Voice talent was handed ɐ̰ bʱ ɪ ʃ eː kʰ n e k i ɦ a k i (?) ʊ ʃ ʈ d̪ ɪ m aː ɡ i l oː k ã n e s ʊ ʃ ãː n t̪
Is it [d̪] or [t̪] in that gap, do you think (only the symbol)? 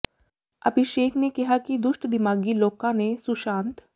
d̪